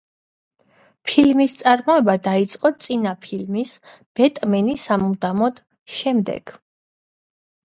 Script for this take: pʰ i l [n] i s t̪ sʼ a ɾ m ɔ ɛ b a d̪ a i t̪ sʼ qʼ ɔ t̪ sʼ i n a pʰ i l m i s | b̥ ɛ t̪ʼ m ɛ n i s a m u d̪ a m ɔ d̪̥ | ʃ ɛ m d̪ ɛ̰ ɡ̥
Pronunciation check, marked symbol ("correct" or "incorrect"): incorrect